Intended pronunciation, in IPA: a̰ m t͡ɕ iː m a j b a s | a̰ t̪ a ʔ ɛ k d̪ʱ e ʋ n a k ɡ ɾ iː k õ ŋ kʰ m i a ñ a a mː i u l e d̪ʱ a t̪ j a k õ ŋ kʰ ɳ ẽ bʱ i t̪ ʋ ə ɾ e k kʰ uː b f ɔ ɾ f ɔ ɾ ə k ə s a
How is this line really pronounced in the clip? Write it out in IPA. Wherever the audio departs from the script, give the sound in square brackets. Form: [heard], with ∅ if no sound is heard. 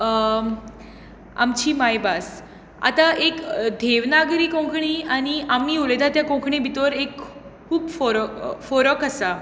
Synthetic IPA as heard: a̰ m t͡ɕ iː m a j b a s | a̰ t̪ a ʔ [e] k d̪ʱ e ʋ n a [∅] ɡ ɾ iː k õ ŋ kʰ [ɳ] i a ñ [i] a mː i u l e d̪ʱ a t̪ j a k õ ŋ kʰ ɳ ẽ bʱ i t̪ ʋ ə ɾ e k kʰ uː b f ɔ ɾ f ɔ ɾ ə k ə s a